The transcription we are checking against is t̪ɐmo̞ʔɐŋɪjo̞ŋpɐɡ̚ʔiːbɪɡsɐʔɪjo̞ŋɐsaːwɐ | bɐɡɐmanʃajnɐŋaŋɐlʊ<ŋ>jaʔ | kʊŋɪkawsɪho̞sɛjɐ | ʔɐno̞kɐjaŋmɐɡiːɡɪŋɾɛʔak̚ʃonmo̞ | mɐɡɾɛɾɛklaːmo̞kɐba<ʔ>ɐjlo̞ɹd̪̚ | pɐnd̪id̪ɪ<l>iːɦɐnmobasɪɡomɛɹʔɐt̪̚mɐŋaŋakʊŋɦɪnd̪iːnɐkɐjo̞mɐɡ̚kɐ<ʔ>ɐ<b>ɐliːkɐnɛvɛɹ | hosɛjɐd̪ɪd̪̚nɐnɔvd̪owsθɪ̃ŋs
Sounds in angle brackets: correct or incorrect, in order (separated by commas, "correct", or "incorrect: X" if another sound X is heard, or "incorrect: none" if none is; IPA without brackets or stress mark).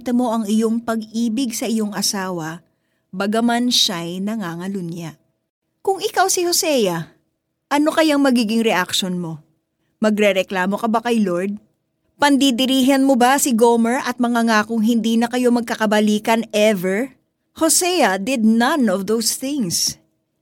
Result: incorrect: n, incorrect: k, incorrect: ɾ, incorrect: k, correct